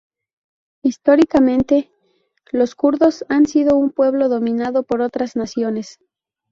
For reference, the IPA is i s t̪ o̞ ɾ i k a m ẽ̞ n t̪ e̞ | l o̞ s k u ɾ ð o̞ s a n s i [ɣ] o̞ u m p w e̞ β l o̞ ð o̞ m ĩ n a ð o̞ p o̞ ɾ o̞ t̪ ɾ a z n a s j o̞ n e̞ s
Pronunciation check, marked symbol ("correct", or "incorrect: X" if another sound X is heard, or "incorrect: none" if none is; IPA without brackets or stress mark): incorrect: ð